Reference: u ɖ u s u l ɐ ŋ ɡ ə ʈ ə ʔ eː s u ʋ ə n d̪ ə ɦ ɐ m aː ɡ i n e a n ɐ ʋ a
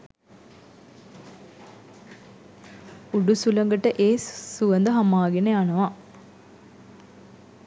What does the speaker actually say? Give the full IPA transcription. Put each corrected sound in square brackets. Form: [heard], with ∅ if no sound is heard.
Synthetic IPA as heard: u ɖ u s u l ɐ ŋ ɡ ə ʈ ə ʔ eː s u ʋ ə n d̪ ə ɦ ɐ m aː ɡ [e] n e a n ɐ ʋ a